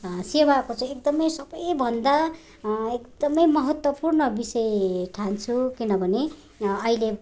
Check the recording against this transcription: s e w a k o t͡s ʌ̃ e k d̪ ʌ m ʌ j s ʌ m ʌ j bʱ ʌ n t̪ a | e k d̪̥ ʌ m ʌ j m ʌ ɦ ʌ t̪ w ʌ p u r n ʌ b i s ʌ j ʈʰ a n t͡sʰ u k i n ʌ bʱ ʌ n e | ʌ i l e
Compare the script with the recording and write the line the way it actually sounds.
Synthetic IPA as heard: s e w a k o t͡s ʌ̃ e k d̪ ʌ m ʌ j s ʌ b ʌ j bʱ ʌ n d̪ a | e k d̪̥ ʌ m ʌ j m ʌ ɦ ʌ t̪ w ʌ p u r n ʌ b i s ʌ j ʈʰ a n t͡sʰ u k i n ʌ bʱ ʌ n e | ʌ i l e